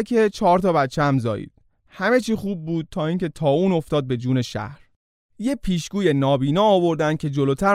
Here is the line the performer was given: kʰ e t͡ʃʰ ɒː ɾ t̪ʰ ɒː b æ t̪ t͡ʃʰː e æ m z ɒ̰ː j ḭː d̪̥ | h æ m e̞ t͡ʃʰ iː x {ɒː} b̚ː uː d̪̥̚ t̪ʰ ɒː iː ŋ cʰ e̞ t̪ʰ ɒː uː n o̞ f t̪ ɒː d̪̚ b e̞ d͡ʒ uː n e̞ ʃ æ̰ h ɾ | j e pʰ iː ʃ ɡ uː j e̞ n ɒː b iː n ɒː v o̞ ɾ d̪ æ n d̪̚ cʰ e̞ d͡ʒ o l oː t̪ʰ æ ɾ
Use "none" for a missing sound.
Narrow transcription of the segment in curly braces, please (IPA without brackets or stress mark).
uː